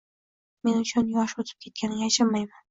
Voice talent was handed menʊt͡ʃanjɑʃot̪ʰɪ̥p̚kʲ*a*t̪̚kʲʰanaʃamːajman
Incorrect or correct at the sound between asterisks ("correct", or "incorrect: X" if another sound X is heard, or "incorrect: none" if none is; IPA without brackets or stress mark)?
incorrect: e